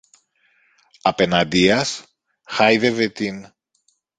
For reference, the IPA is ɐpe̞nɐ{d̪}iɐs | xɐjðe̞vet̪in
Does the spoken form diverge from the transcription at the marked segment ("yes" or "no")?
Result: no